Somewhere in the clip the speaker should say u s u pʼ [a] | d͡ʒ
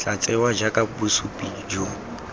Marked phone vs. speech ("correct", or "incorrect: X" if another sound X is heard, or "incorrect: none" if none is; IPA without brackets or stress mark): incorrect: i